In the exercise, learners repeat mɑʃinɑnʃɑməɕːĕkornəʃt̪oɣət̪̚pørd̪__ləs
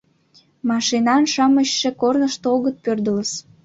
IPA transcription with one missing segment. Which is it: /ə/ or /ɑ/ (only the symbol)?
ə